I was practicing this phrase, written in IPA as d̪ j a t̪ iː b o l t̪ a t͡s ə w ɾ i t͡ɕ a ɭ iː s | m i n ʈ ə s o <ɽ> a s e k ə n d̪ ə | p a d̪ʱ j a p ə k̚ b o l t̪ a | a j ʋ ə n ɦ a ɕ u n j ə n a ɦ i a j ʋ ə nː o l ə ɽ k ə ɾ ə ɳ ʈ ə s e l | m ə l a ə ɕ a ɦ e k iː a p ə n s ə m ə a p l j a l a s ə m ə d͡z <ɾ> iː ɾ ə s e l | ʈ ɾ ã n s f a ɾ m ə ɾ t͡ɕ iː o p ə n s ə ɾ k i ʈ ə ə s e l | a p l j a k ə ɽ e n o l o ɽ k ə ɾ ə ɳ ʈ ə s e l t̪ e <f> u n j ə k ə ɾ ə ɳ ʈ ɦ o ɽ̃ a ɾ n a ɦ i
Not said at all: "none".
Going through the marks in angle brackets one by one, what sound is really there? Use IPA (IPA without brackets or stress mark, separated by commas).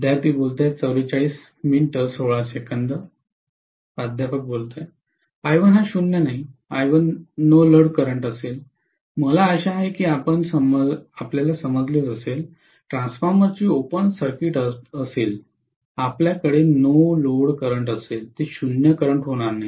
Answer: ɭ, l, ɕ